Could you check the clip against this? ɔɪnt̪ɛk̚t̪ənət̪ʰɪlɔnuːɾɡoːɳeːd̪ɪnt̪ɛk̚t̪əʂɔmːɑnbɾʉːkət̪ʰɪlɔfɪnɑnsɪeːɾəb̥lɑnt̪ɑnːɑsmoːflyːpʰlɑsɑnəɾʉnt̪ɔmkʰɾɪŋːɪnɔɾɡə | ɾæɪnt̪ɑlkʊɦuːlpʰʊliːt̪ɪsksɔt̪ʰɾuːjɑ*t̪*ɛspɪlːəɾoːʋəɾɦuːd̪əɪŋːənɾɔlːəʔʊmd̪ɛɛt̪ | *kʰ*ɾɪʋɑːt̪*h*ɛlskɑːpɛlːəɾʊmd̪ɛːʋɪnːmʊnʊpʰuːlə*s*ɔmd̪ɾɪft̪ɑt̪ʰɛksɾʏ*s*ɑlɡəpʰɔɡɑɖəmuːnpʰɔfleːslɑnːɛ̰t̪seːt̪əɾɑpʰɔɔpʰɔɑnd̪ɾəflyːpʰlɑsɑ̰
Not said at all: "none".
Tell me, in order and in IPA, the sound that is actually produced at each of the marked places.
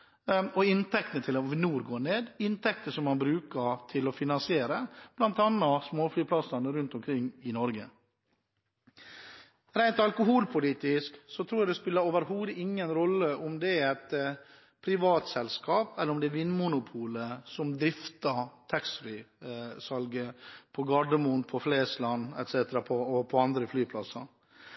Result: d̪, pʰ, s, s, s

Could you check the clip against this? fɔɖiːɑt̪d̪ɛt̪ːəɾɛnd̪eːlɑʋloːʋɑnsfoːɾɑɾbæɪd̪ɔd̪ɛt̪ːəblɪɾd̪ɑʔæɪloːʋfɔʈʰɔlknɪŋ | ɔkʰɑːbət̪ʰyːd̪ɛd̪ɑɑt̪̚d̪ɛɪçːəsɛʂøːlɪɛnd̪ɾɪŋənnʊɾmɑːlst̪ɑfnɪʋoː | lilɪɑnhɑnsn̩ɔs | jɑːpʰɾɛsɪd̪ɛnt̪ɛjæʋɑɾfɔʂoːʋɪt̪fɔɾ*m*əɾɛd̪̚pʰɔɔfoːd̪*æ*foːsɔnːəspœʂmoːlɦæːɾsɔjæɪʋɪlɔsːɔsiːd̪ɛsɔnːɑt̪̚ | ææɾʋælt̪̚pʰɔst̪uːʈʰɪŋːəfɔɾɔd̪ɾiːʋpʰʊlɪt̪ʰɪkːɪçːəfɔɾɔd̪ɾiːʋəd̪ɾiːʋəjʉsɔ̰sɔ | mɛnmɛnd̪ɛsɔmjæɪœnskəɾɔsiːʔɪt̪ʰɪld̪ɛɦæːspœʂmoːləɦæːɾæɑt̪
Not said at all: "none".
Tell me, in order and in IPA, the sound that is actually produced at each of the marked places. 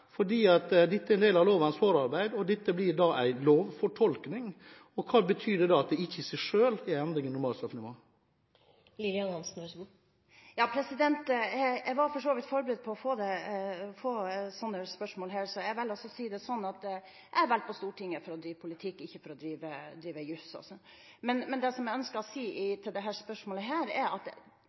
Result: b, ɛ

